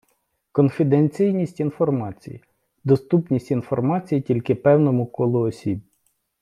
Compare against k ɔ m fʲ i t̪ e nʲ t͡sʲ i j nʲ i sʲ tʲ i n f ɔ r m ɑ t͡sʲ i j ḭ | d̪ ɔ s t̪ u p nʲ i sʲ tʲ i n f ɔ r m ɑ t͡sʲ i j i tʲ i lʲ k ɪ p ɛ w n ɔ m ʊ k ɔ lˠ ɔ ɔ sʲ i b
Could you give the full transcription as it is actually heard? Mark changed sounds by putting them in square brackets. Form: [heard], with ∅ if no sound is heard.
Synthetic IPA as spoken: k ɔ [n] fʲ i [d̪] e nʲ t͡sʲ i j nʲ i sʲ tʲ i n f ɔ r m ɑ t͡sʲ i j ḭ | d̪ ɔ s t̪ u p nʲ i sʲ tʲ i n f ɔ r m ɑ t͡sʲ i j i tʲ i lʲ k ɪ p ɛ w n ɔ m ʊ k ɔ lˠ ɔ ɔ sʲ i b